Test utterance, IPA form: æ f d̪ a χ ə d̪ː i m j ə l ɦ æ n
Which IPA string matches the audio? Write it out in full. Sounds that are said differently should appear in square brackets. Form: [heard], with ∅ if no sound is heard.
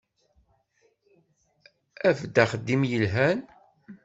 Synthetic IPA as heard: æ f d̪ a χ ə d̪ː i m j ə l ɦ æ n